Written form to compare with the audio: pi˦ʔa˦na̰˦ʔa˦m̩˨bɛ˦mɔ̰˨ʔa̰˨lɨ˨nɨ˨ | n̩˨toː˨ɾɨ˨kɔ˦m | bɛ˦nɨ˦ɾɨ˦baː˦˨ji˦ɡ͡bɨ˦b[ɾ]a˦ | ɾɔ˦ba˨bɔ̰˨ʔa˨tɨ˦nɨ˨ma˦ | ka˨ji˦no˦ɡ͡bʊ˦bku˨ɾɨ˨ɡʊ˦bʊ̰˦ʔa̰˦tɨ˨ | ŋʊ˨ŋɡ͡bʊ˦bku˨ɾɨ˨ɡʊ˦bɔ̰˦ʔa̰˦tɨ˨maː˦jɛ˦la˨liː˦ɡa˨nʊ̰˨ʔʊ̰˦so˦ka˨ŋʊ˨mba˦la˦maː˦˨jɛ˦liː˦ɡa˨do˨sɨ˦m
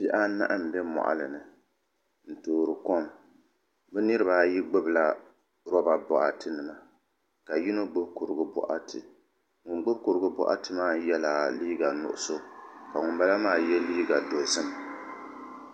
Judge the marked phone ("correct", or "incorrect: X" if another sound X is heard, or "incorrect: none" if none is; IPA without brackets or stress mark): incorrect: l